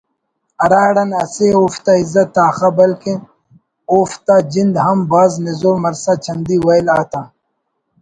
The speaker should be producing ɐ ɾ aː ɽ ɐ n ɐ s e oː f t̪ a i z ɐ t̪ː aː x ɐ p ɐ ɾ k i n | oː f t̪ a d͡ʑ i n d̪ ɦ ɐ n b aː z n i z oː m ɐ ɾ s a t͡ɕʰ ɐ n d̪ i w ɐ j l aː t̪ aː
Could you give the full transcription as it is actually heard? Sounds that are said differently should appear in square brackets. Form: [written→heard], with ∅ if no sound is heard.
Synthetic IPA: ɐ ɾ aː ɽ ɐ n ɐ s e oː f t̪ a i z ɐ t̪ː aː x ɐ [p→b] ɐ [ɾ→l] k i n | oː f t̪ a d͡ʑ i n d̪ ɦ ɐ [n→m] b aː z n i z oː m ɐ ɾ s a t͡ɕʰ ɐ n d̪ i w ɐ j l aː t̪ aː